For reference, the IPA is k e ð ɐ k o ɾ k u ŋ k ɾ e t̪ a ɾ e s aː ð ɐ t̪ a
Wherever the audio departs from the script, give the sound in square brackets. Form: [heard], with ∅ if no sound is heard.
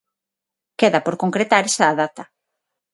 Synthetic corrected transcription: k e ð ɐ [p] o ɾ k [o] ŋ k ɾ e t̪ a ɾ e s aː ð [a] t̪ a